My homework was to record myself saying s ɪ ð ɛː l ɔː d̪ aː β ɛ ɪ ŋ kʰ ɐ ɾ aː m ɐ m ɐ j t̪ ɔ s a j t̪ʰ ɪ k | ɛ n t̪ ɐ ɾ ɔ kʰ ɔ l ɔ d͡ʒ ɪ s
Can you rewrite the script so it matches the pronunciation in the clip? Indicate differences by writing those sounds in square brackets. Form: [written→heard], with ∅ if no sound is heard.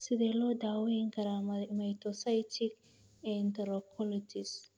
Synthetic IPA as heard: s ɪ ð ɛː l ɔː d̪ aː [β→w] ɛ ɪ ŋ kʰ ɐ ɾ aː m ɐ m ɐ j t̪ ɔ s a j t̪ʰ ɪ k | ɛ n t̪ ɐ ɾ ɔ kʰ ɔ l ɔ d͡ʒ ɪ s